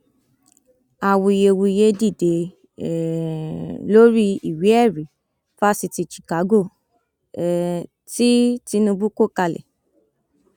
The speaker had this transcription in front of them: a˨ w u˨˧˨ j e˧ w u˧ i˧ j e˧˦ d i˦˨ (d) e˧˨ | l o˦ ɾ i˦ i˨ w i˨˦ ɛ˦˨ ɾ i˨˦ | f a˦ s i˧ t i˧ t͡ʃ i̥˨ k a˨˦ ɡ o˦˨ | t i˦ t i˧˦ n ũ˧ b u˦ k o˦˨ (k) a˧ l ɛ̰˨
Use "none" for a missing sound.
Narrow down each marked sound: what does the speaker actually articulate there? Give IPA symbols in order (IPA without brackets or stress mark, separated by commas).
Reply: d, k